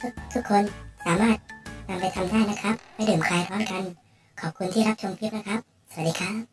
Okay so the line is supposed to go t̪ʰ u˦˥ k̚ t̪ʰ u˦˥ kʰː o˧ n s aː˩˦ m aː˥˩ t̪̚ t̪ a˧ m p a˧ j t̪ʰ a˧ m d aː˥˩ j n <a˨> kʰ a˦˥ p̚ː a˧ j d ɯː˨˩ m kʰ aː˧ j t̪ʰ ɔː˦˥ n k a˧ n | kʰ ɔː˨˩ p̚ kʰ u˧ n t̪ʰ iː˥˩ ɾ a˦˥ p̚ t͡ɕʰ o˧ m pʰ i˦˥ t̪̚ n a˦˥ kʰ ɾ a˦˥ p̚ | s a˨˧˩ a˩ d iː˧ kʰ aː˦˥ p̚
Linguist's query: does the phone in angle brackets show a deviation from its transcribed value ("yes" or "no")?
yes